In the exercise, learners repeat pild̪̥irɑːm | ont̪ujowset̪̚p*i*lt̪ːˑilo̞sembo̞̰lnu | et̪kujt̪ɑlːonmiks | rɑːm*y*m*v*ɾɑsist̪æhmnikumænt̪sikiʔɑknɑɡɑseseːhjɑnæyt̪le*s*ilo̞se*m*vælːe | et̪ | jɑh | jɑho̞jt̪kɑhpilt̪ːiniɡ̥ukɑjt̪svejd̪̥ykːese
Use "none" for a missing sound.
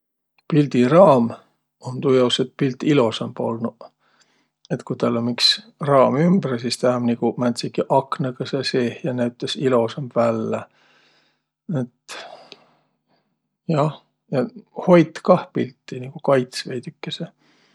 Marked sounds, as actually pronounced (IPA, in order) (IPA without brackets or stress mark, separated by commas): i, y, b, s, m